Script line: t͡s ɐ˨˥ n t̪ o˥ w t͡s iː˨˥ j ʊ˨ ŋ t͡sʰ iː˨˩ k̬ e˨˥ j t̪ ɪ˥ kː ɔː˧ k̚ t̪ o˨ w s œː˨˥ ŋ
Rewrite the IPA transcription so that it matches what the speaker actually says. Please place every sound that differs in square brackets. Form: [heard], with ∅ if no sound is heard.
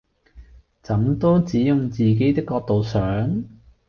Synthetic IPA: t͡s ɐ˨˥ [m] t̪ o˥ w t͡s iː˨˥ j ʊ˨ ŋ [t͡s] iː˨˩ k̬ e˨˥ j t̪ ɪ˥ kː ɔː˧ k̚ t̪ o˨ w s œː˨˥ ŋ